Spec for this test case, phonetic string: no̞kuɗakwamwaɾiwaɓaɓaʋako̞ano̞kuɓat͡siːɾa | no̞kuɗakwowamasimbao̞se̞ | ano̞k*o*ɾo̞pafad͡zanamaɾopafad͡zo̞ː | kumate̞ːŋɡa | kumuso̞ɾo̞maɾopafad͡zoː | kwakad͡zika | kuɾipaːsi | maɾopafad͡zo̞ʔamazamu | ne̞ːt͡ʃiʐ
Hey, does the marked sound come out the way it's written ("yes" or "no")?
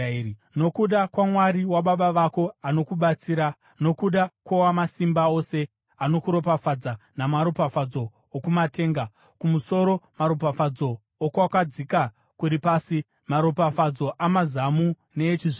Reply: no